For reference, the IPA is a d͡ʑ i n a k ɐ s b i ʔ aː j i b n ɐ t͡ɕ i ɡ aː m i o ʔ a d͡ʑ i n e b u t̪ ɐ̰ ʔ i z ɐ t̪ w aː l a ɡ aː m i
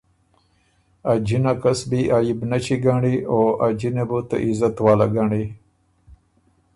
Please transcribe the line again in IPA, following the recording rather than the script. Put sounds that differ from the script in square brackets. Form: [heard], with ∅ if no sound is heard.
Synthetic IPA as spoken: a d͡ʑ i n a k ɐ s b i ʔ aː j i b n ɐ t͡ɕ i ɡ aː [ɳ] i o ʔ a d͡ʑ i n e b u t̪ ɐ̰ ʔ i z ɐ t̪ w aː l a ɡ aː [ɳ] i